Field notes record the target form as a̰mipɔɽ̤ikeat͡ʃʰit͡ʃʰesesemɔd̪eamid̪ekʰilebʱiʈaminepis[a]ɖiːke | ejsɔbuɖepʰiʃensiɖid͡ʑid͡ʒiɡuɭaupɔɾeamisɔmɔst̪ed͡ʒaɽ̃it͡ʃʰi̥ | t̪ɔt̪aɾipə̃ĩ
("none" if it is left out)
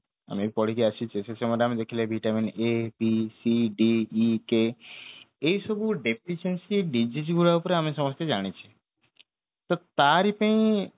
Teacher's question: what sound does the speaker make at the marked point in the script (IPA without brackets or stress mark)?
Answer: i